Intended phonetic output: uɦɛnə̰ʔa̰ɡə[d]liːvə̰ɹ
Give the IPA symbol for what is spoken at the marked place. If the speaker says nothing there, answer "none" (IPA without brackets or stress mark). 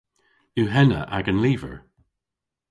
n